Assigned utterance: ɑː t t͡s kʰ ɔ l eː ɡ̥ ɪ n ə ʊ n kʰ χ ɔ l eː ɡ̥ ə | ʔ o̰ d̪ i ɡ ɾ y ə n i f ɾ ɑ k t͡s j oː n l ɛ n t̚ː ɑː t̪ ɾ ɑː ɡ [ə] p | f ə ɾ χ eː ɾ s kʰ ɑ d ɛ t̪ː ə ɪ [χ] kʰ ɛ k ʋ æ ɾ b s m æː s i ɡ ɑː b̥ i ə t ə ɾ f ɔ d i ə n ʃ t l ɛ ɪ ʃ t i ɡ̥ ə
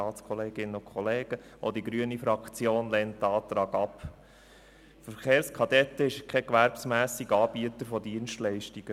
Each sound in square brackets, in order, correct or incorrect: incorrect, incorrect

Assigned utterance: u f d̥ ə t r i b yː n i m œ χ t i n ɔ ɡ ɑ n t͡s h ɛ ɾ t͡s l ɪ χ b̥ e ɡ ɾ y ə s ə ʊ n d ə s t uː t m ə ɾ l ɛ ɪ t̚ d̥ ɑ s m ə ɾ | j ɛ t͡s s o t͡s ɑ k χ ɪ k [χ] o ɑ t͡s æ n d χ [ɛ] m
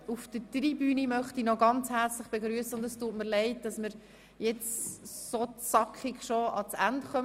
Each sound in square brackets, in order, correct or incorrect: incorrect, incorrect

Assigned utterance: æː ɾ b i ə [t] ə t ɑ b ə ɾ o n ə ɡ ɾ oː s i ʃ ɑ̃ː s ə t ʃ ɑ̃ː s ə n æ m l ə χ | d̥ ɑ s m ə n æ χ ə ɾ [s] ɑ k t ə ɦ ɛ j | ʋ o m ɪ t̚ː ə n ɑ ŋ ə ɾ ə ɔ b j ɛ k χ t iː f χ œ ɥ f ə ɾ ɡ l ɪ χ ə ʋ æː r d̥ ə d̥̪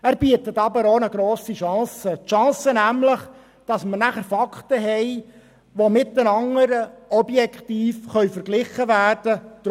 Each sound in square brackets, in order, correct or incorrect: correct, incorrect

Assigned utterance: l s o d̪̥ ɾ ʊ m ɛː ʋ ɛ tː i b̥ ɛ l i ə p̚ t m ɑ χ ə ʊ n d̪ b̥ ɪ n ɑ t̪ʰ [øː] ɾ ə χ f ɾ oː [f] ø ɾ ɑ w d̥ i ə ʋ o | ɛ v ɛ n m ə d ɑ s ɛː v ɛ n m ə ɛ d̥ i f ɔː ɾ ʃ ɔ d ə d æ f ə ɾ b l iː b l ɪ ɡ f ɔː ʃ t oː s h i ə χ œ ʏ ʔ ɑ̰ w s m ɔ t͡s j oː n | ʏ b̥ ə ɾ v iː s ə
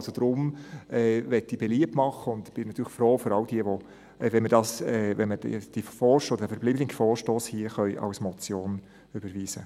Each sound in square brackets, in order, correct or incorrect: incorrect, correct

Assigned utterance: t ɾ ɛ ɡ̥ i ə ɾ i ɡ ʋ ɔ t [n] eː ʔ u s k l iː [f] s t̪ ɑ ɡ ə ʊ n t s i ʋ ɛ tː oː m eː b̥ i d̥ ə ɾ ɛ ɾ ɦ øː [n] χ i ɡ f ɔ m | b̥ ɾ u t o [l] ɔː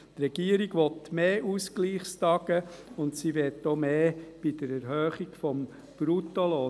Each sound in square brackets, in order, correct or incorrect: incorrect, incorrect, incorrect, correct

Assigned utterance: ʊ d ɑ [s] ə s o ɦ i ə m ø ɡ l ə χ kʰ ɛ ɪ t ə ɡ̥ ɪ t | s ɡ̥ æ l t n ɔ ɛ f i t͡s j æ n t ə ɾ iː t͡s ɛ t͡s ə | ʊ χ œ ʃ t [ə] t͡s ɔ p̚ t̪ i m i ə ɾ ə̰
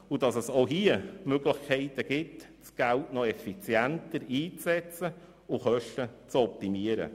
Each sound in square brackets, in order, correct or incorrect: correct, correct

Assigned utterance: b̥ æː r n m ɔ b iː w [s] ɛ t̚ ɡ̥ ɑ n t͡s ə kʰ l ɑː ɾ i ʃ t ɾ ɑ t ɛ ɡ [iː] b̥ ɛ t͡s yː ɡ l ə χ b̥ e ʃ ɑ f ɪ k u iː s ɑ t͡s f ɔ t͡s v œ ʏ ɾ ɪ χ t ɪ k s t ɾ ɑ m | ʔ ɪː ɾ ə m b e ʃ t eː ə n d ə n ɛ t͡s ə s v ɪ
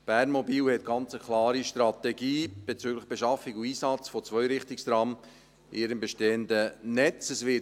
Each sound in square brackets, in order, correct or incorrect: incorrect, correct

